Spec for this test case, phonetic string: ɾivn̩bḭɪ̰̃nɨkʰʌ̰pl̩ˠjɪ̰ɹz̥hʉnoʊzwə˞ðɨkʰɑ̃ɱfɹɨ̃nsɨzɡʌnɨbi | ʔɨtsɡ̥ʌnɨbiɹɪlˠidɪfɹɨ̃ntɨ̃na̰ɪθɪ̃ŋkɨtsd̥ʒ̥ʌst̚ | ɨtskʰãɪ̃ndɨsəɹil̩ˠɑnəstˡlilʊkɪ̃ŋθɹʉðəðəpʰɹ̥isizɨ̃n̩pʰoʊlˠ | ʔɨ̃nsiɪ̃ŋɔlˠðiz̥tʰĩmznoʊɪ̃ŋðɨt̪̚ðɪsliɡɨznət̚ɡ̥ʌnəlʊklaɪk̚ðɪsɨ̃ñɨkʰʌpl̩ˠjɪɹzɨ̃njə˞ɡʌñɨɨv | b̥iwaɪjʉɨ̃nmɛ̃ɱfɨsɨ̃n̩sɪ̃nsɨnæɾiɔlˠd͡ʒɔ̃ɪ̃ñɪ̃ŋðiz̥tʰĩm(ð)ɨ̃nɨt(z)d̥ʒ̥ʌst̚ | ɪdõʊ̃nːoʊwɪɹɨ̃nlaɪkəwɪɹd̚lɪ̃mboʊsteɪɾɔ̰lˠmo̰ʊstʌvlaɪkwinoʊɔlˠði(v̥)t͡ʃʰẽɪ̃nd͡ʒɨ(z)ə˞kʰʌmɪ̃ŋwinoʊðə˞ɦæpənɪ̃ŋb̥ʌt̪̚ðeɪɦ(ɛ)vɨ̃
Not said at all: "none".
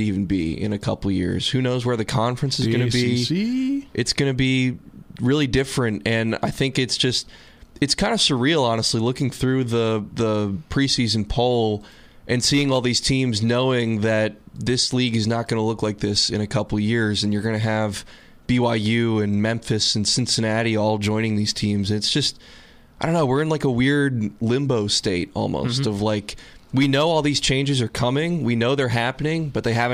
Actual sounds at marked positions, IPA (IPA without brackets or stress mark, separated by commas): z, s, z̥, z, æ